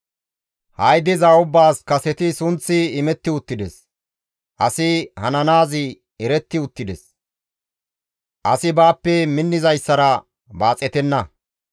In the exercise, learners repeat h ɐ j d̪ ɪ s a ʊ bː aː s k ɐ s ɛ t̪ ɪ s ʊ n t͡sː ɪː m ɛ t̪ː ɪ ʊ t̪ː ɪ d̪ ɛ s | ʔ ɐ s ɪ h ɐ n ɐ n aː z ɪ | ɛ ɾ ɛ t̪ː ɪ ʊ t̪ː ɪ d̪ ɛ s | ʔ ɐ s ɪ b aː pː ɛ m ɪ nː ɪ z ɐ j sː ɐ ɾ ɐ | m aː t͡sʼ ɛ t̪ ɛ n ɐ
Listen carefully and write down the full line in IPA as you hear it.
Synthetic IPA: h ɐ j d̪ ɪ z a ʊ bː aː s k ɐ s ɛ t̪ ɪ s ʊ n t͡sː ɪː m ɛ t̪ː ɪ ʊ t̪ː ɪ d̪ ɛ s | ʔ ɐ s ɪ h ɐ n ɐ n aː z ɪ | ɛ ɾ ɛ t̪ː ɪ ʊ t̪ː ɪ d̪ ɛ s | ʔ ɐ s ɪ b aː pː ɛ m ɪ nː ɪ z ɐ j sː ɐ ɾ ɐ | b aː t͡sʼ ɛ t̪ ɛ nː ɐ